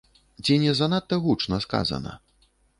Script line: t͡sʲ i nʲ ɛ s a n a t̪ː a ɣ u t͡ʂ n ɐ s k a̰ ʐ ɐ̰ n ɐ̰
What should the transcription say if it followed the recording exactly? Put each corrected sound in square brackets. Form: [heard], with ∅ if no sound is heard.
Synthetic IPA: t͡sʲ i nʲ ɛ [z] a n a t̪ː [ɐ] ɣ u t͡ʂ n ɐ s k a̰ [z] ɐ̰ n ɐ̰